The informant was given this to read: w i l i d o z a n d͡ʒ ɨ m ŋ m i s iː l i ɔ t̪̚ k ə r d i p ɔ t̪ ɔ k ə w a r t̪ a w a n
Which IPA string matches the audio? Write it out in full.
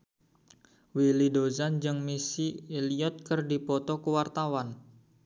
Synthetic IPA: w i l i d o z a n d͡ʒ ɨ ŋ m i s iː l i ɔ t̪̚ k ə r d i p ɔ t̪ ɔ k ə w a r t̪ a w a n